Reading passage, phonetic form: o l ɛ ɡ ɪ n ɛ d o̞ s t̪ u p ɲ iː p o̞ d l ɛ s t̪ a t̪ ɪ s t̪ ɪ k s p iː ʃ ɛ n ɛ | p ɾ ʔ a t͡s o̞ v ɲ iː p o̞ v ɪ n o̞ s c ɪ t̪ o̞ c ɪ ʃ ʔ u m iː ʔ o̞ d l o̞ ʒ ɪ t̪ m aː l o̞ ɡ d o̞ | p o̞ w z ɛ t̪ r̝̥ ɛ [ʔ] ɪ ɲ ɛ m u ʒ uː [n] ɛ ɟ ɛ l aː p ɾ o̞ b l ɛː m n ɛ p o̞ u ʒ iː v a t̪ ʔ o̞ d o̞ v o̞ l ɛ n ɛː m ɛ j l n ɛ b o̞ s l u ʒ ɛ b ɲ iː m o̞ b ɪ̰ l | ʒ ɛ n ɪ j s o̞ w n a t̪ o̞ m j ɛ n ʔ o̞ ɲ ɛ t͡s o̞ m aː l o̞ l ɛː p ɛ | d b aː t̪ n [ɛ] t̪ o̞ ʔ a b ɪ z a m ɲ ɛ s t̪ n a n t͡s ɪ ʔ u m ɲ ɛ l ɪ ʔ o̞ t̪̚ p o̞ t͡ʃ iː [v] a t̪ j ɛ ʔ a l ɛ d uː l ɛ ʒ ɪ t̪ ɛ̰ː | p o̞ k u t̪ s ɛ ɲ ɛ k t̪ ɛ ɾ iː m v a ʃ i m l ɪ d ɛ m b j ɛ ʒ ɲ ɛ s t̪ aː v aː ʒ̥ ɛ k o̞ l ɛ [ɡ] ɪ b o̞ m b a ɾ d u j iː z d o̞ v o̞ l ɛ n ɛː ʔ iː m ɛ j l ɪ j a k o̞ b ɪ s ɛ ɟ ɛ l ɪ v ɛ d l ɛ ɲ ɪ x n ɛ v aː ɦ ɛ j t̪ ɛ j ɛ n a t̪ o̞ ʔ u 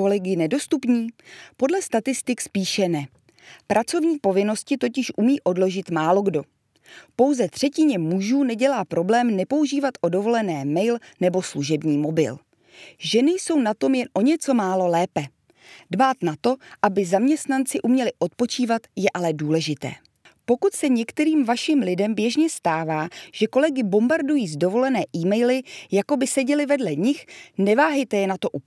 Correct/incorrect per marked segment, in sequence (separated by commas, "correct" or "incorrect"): incorrect, correct, incorrect, correct, correct